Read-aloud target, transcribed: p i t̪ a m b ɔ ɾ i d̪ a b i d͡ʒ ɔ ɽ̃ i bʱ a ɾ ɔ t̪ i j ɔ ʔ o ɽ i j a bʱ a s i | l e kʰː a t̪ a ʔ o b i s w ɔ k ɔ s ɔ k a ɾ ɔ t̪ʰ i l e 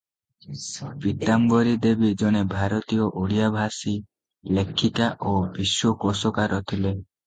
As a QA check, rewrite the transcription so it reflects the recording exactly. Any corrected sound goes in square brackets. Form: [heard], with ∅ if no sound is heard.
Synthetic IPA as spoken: p i t̪ a m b ɔ ɾ i d̪ [e] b i d͡ʒ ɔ ɽ̃ [e] bʱ a ɾ ɔ t̪ i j ɔ ʔ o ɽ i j a bʱ a s i | l e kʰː [i] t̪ a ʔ o b i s w ɔ k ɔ s ɔ k a ɾ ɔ t̪ʰ i l e